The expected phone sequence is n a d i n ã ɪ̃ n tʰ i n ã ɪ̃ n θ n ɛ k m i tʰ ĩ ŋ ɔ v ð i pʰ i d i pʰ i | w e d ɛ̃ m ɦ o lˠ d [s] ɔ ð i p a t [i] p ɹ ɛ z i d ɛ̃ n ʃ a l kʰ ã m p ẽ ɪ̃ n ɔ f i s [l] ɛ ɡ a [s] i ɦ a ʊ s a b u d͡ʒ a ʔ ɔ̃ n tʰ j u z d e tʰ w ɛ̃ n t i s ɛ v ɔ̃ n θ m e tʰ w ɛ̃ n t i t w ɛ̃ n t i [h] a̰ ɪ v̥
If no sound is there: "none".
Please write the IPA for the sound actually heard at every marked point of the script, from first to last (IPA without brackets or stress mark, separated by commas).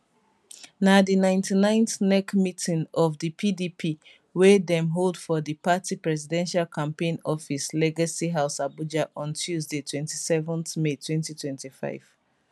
f, i, l, s, f